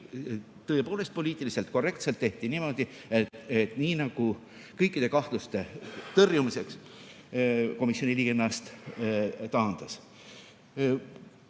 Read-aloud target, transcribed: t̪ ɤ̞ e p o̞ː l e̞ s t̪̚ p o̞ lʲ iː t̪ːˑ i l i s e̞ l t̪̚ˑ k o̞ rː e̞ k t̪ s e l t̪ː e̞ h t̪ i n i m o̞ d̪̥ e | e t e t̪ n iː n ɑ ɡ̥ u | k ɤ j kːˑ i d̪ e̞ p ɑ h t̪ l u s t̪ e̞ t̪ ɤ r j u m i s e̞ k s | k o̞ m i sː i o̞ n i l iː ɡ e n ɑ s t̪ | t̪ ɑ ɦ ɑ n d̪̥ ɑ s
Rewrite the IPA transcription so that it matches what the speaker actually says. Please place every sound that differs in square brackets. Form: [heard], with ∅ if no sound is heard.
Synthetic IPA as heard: t̪ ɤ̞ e p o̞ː l e̞ s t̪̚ p o̞ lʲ iː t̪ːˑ i l i s e̞ l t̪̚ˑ k o̞ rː e̞ k t̪ s e l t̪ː e̞ h t̪ i n i m o̞ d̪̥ [i] | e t e t̪ n iː n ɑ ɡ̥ u | k ɤ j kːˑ i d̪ e̞ [k] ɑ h t̪ l u s t̪ e̞ t̪ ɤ r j u m i s e̞ k s | k o̞ m i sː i o̞ n i l iː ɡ e n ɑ s t̪ | t̪ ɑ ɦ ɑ n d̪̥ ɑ s